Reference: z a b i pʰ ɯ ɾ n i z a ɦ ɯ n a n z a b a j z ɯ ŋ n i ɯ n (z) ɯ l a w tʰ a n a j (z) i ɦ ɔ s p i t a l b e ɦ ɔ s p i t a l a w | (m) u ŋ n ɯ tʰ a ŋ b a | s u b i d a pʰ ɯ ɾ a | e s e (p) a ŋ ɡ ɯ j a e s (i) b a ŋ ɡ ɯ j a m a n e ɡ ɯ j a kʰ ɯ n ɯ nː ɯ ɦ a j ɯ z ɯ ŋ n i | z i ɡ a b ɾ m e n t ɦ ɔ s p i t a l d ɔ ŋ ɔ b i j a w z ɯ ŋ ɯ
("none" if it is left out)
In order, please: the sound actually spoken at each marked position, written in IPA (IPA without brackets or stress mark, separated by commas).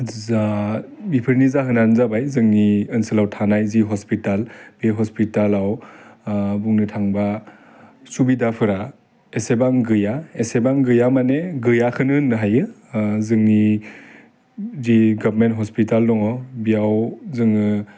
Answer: s, z, b, b, e